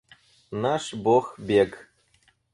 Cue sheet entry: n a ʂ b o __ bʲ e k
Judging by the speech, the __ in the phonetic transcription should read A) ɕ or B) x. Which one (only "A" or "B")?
B